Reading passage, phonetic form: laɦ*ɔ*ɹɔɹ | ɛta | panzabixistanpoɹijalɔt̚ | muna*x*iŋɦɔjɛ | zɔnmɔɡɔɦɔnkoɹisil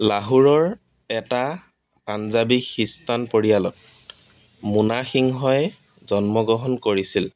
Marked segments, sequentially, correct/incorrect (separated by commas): incorrect, correct